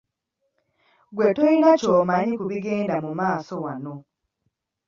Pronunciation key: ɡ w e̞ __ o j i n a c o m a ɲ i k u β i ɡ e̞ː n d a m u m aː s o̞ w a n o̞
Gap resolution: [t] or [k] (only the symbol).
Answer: t